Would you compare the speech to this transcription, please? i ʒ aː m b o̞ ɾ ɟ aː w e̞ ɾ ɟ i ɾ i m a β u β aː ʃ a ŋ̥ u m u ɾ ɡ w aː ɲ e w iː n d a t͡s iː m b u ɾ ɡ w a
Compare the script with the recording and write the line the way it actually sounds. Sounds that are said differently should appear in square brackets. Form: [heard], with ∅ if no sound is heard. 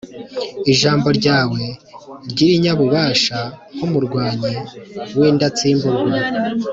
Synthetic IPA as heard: i ʒ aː m b o̞ ɾ ɟ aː w e̞ ɾ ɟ i ɾ i [ɲ] a β u β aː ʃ a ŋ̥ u m u ɾ ɡ w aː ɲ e w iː n d a t͡s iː m b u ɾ ɡ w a